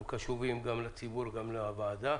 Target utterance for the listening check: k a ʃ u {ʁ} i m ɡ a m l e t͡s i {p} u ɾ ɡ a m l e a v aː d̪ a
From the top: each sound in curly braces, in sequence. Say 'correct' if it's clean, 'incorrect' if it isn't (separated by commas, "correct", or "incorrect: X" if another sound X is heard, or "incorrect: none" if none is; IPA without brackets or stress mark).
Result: incorrect: v, incorrect: b